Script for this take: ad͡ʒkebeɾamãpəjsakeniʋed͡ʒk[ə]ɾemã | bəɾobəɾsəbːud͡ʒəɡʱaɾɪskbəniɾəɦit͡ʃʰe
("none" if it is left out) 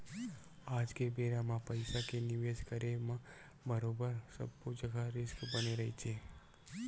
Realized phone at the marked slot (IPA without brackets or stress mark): ə